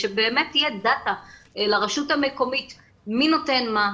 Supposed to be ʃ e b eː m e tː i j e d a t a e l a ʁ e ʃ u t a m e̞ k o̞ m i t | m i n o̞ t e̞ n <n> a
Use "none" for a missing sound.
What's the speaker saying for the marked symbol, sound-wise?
m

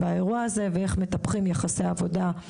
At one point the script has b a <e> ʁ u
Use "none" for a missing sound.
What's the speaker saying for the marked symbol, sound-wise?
e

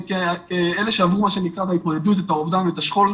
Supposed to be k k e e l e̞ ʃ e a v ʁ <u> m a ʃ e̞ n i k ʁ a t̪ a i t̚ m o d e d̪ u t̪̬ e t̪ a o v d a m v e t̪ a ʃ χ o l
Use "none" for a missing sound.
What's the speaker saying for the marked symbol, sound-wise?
u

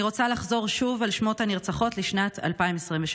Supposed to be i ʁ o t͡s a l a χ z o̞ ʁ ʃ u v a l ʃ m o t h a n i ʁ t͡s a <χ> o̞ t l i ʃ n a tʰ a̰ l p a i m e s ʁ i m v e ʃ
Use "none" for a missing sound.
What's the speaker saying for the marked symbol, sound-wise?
χ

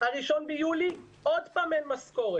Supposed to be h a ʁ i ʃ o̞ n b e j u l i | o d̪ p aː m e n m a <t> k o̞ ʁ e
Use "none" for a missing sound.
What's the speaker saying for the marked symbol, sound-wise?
s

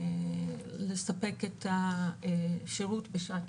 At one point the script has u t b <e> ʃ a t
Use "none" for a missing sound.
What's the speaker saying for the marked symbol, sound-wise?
e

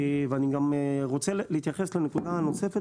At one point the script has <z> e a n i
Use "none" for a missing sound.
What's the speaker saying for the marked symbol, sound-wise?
v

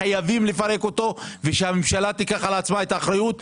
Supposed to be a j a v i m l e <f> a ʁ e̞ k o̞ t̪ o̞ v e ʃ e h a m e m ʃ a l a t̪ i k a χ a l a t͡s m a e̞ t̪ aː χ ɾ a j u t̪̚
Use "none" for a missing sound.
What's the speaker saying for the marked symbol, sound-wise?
f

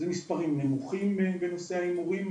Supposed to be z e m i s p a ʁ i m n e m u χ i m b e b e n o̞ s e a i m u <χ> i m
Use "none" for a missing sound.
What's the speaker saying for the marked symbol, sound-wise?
ʁ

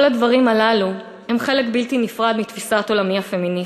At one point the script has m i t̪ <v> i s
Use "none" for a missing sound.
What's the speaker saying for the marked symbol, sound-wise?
f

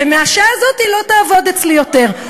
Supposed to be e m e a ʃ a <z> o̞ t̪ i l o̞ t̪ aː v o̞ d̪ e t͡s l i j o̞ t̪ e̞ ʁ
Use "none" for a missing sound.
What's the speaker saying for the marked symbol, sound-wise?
z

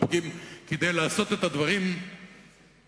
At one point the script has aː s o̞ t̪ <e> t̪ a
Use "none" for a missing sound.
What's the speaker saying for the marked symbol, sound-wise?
e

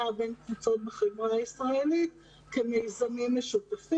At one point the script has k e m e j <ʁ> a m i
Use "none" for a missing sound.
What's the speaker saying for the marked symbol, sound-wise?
z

